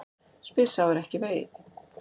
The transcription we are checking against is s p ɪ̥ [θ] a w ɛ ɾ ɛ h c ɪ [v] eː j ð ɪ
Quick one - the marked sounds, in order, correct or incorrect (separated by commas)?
incorrect, correct